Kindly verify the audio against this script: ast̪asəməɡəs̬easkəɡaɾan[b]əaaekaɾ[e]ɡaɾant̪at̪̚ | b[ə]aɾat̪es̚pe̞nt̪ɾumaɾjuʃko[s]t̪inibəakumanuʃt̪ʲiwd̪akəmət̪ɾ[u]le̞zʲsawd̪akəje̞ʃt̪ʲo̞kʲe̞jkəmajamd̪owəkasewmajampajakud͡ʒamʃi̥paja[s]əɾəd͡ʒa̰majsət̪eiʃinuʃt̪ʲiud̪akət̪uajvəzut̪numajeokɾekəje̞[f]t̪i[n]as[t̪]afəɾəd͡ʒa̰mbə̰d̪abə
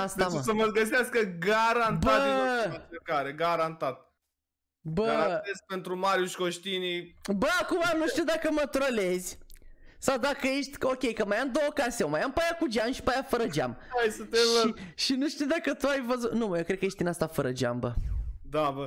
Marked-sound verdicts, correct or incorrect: correct, correct, correct, incorrect, incorrect, incorrect, incorrect, correct, correct

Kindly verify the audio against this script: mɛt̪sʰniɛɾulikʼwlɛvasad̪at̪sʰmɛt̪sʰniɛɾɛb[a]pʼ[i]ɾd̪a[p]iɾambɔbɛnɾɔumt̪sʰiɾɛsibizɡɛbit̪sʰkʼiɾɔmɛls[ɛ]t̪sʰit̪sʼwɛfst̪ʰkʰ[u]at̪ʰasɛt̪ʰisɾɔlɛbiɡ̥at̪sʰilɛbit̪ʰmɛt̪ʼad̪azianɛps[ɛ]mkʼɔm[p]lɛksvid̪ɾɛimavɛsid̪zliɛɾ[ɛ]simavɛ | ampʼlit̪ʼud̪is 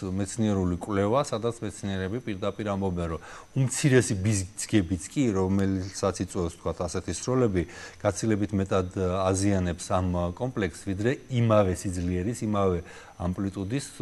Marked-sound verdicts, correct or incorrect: incorrect, correct, incorrect, incorrect, incorrect, incorrect, incorrect, incorrect

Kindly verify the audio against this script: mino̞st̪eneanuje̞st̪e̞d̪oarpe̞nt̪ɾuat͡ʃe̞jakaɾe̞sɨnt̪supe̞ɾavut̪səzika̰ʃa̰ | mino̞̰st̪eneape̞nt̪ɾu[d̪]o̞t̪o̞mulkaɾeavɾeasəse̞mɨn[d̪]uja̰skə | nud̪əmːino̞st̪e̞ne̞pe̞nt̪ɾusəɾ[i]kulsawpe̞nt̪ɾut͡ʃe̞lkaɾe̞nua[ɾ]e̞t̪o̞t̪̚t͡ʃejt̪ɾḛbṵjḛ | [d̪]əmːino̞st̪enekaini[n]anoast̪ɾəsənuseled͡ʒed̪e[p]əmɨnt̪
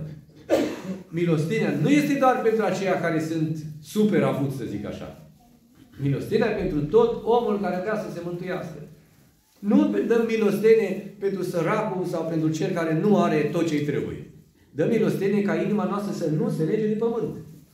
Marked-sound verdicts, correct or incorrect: incorrect, incorrect, incorrect, correct, correct, incorrect, correct

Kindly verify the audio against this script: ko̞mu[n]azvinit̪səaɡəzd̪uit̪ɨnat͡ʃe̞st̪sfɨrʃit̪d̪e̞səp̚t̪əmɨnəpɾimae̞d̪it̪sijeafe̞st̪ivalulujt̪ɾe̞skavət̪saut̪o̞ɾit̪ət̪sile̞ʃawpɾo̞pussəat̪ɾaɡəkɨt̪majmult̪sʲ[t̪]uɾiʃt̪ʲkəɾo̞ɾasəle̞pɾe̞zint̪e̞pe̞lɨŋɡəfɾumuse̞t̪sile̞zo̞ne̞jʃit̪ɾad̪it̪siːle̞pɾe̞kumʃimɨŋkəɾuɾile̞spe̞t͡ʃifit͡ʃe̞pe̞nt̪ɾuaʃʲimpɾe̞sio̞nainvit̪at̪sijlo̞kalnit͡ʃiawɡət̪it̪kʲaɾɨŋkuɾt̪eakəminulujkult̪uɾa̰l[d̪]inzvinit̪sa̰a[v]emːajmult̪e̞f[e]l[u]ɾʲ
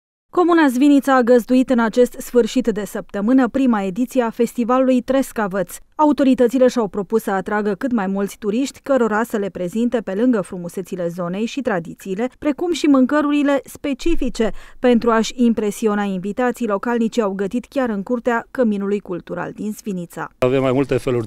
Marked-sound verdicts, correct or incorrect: correct, correct, correct, correct, correct, correct

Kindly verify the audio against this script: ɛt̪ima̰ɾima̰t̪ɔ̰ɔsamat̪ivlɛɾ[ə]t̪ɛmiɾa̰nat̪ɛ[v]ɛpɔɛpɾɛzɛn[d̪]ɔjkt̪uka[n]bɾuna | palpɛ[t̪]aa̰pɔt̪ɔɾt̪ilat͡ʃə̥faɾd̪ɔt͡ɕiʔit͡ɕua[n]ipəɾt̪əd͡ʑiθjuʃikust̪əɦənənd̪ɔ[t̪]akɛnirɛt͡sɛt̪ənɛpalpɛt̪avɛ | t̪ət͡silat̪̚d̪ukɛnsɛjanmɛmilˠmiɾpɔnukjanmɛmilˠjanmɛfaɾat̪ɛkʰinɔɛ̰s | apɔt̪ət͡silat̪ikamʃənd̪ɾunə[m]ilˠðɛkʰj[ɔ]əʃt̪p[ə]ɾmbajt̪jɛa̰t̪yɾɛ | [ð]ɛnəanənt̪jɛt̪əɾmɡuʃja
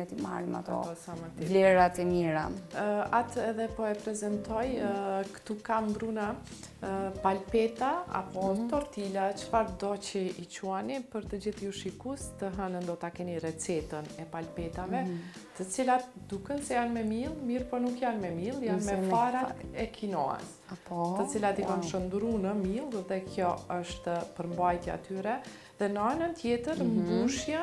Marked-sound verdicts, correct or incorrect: incorrect, incorrect, incorrect, incorrect, correct, correct, correct, correct, correct, correct, correct

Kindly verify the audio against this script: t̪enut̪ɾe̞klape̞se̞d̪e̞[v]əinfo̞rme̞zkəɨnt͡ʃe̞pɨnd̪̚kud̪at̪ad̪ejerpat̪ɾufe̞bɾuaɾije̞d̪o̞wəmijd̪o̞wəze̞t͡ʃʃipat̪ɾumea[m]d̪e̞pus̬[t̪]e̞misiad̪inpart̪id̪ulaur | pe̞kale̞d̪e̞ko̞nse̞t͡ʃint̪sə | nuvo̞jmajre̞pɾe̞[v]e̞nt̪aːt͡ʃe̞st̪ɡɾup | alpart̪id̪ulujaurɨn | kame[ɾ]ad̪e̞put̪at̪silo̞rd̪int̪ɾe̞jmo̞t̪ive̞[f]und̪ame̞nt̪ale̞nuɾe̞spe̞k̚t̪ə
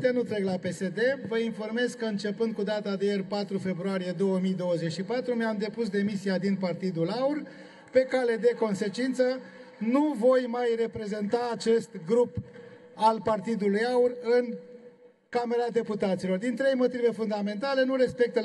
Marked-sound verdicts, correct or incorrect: correct, correct, incorrect, incorrect, correct, correct

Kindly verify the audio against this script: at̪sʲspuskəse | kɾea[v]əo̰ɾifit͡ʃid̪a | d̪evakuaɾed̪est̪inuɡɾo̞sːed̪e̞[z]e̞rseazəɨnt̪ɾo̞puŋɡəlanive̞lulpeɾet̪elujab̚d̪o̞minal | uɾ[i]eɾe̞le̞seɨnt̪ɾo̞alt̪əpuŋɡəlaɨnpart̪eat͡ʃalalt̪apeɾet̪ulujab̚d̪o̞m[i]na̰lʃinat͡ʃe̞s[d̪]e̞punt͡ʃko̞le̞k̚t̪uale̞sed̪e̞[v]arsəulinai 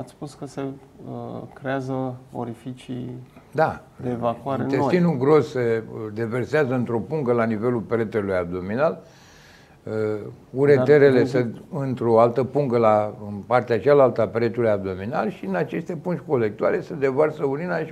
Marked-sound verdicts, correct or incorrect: incorrect, incorrect, incorrect, correct, incorrect, correct

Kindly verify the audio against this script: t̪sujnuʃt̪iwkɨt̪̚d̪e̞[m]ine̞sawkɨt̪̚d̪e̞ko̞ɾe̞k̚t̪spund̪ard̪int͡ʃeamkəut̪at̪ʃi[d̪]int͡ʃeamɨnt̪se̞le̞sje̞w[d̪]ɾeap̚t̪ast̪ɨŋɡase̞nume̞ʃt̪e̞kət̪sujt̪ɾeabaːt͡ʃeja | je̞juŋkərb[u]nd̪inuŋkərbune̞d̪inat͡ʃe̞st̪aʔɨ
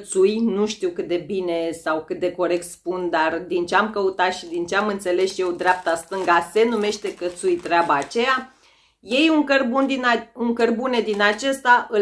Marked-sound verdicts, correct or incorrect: incorrect, correct, correct, correct

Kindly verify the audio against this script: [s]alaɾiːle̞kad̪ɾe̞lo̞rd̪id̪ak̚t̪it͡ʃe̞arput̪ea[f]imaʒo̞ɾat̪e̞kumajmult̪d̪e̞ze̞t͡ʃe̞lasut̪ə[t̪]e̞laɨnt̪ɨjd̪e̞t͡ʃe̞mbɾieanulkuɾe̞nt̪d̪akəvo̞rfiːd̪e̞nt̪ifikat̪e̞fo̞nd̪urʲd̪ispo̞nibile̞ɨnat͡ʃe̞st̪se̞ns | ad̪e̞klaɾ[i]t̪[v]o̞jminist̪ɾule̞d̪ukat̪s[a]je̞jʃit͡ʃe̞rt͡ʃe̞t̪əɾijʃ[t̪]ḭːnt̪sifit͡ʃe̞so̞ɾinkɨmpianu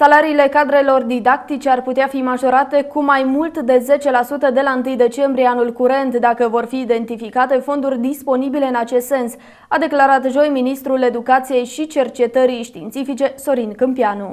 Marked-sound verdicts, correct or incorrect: correct, correct, incorrect, incorrect, incorrect, incorrect, correct

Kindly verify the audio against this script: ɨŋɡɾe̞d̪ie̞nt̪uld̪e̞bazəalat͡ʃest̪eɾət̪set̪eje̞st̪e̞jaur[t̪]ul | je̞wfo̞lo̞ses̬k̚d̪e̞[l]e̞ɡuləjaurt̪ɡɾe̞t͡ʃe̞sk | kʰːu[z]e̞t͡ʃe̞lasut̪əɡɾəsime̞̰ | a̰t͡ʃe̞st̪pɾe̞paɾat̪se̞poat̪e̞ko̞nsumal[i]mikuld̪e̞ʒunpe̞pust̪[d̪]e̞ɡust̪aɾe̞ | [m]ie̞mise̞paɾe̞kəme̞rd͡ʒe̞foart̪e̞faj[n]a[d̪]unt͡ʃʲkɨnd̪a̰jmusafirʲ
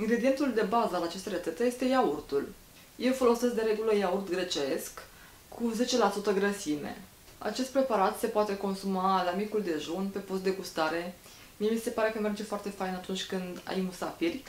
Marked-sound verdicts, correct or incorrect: correct, incorrect, correct, incorrect, correct, correct, correct, incorrect

